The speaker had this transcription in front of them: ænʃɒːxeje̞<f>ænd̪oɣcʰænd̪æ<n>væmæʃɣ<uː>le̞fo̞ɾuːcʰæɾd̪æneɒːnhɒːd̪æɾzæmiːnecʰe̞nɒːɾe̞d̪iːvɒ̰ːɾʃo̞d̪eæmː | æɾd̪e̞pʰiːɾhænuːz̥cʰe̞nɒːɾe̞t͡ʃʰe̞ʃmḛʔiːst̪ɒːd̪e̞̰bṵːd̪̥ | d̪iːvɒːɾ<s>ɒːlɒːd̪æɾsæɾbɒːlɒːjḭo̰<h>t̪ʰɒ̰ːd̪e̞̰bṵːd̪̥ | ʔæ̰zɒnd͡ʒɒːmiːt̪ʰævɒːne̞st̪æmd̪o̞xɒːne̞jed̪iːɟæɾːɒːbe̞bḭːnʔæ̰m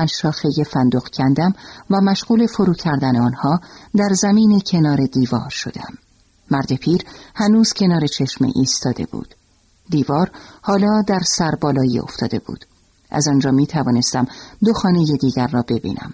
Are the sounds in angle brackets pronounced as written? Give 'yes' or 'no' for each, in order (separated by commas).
yes, no, yes, no, no